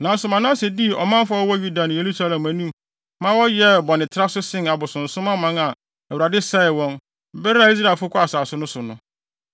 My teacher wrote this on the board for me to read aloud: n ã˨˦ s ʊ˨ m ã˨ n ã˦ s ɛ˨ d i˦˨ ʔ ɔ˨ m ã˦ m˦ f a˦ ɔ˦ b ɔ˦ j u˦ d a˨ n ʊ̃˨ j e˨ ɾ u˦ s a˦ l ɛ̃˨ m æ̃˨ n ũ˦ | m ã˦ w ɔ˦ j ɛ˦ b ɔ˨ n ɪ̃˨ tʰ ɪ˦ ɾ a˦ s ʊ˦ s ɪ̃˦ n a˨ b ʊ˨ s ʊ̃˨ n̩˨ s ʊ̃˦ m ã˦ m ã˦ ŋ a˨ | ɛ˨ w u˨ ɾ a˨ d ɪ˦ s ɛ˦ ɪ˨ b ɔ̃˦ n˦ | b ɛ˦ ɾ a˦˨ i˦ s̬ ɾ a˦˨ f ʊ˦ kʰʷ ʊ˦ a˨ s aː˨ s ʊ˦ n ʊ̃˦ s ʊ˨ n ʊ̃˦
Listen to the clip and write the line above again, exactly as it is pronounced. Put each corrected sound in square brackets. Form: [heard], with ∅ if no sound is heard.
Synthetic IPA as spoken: n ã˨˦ s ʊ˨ m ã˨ n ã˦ s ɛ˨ d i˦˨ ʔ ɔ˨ m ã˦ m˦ f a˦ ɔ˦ [w] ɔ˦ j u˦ d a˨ n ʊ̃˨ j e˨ ɾ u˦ s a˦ l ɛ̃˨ m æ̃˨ n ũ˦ | m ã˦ w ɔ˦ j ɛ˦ b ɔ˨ n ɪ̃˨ tʰ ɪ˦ ɾ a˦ s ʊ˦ s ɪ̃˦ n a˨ b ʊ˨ s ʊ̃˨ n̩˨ s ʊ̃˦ m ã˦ m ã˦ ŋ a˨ | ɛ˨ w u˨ ɾ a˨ d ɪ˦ s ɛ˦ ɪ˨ [w] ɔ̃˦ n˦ | b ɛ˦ ɾ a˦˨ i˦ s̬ ɾ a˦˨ f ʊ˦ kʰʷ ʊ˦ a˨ s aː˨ s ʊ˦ n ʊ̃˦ s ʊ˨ n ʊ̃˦